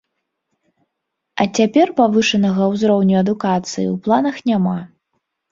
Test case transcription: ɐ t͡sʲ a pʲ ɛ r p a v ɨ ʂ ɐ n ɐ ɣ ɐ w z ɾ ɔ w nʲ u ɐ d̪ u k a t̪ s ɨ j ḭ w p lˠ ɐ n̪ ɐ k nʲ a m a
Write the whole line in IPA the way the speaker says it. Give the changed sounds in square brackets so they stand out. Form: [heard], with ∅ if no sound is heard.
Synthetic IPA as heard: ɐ t͡sʲ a pʲ ɛ r p a v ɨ ʂ ɐ n ɐ ɣ ɐ w z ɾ ɔ w nʲ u ɐ d̪ u k a t̪ s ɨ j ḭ w p lˠ [a] n̪ ɐ [x] nʲ a m a